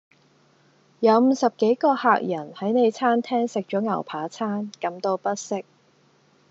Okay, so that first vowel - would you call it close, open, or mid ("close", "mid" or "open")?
open